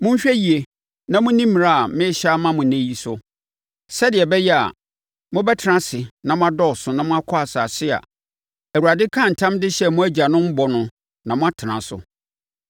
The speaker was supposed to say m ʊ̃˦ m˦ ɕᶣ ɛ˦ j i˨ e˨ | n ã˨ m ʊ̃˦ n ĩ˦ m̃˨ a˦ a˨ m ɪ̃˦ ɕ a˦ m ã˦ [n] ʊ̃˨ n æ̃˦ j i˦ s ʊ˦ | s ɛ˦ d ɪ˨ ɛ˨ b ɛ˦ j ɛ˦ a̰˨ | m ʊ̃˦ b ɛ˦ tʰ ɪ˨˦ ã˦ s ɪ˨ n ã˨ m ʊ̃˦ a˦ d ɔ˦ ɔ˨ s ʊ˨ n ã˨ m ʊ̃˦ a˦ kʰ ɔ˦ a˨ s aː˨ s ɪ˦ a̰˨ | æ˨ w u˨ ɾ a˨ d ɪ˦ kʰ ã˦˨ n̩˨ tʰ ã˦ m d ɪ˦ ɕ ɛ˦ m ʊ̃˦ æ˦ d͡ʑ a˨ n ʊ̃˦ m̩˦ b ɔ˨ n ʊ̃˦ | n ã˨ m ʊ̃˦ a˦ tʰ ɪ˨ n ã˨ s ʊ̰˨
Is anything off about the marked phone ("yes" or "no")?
yes